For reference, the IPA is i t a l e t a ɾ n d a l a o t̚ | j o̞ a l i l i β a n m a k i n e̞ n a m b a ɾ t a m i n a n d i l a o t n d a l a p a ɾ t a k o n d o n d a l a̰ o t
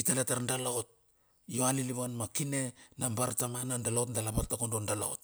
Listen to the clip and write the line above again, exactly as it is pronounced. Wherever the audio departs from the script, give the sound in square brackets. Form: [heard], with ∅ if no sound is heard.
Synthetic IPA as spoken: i t a l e t a ɾ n d a l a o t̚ | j o̞ a l i l i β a n m a k i n e̞ n a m b a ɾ t a m [a] n a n d [a] l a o t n d a l a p a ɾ t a k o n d o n d a l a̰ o t